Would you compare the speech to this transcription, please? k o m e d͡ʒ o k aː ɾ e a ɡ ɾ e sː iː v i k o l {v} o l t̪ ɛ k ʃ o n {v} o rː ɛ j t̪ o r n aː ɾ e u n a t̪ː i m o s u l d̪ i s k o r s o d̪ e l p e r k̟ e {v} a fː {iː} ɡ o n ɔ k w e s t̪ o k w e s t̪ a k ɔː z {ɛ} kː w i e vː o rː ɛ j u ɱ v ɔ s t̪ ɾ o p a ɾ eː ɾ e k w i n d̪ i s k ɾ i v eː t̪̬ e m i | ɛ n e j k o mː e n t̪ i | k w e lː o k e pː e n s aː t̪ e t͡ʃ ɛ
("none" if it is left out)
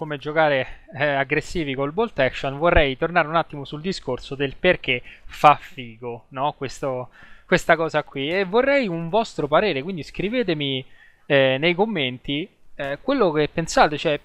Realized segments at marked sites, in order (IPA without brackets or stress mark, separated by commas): b, v, f, iː, a